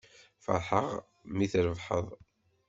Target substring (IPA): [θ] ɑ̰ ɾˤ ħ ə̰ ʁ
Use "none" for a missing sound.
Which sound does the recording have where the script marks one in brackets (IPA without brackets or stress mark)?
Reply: f